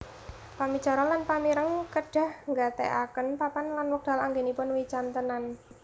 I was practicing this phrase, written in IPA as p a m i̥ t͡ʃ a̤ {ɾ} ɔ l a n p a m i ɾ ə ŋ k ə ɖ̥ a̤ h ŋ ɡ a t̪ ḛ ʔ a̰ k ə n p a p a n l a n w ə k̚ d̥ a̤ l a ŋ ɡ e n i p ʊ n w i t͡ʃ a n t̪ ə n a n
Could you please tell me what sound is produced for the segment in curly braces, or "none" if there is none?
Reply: ɾ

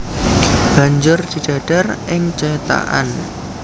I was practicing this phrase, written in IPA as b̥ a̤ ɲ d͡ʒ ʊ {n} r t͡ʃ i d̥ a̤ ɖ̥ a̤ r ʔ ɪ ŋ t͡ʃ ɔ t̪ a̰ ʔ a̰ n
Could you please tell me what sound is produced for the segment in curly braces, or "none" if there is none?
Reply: none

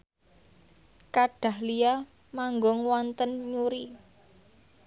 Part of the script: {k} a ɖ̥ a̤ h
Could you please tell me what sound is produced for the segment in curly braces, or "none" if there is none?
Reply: k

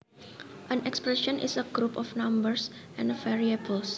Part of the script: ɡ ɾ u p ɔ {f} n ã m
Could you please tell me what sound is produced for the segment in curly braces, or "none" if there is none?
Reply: f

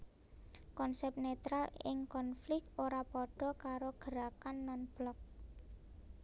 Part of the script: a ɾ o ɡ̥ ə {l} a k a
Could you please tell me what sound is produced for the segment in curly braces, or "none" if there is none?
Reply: ɾ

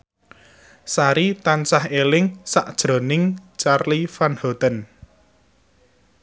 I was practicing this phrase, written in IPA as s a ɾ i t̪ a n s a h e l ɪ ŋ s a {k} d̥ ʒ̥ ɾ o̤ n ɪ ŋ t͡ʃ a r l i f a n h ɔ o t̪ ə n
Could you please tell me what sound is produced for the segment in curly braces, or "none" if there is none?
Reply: ʔ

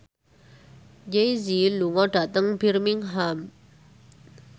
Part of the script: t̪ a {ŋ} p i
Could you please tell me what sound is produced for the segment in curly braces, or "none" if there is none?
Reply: ŋ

